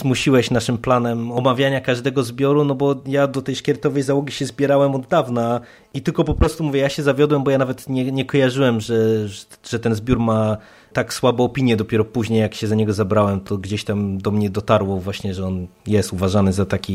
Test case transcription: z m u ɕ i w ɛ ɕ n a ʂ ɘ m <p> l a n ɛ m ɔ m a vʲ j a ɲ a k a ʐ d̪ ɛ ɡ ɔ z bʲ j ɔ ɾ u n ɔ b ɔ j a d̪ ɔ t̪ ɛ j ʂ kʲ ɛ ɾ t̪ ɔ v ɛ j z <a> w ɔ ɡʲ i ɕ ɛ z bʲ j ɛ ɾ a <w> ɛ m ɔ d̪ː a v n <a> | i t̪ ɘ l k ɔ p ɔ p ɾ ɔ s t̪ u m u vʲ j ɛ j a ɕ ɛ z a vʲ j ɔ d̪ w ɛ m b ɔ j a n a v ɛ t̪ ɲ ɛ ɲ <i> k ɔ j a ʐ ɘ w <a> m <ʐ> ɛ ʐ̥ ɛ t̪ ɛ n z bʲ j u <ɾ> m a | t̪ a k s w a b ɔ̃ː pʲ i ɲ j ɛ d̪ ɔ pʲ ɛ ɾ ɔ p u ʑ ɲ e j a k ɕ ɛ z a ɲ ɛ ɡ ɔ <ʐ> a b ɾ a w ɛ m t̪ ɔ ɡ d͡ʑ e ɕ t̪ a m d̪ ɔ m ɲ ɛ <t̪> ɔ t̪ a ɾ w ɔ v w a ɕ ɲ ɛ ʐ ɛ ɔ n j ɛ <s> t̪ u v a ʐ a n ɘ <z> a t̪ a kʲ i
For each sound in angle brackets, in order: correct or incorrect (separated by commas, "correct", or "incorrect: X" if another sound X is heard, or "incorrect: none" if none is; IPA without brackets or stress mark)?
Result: correct, correct, correct, correct, incorrect: ɛ, incorrect: ɛ, correct, correct, incorrect: z, incorrect: d̪, correct, correct